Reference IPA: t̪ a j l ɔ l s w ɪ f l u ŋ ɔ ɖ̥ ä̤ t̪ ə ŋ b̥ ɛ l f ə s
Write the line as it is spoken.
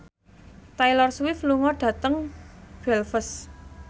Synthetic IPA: t̪ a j l ɔ r s w ɪ f l u ŋ ɔ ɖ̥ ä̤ t̪ ə ŋ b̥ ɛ l f ə s